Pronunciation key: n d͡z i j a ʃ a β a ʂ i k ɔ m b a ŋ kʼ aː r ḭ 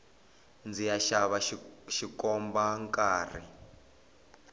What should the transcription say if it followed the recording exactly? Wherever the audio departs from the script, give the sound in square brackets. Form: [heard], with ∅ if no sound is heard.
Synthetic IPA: n d͡z i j a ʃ a β a [ʃ] i k ɔ m b a ŋ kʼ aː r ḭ